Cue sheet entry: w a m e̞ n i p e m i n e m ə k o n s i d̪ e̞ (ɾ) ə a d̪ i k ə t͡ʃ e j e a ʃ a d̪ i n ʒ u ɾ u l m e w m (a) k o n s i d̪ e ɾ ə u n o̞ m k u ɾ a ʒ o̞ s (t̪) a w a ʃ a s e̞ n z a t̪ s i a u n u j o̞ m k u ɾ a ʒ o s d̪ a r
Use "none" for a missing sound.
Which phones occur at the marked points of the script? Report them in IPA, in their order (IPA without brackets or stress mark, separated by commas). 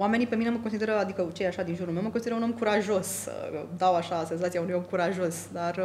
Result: ɾ, ə, d̪